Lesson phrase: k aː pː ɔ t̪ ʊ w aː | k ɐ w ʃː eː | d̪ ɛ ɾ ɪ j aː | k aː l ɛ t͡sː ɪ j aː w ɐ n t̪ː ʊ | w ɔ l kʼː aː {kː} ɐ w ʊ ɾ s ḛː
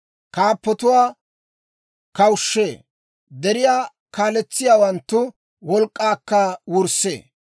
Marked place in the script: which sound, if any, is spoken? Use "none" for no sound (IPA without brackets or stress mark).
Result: kː